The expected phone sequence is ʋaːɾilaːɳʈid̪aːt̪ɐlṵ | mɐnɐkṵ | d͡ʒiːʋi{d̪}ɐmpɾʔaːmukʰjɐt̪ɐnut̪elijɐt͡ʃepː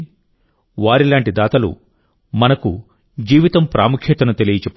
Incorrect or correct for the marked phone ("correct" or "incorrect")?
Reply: incorrect